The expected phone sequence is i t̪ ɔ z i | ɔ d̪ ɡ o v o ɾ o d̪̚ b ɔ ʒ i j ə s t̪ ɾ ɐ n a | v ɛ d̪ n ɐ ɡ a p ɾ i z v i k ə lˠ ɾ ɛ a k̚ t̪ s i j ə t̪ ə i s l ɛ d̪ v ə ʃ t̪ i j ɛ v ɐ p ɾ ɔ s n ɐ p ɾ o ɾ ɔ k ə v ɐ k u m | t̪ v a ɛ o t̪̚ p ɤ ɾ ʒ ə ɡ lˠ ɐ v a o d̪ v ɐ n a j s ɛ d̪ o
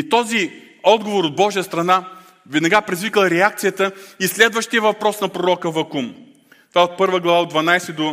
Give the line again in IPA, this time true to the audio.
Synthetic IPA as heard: i t̪ ɔ z i | ɔ d̪ ɡ o v o ɾ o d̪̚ b ɔ ʒ i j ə s t̪ ɾ ɐ n a | v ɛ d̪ n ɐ ɡ a p ɾ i z v i k ə lˠ ɾ ɛ a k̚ t̪ s i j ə t̪ ə i s l ɛ d̪ v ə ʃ t̪ i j ɛ v ɐ p ɾ ɔ s n ɐ p ɾ o ɾ ɔ k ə v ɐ k u m | t̪ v a ɛ o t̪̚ p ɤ ɾ v ə ɡ lˠ ɐ v a o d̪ v ɐ n a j s ɛ d̪ o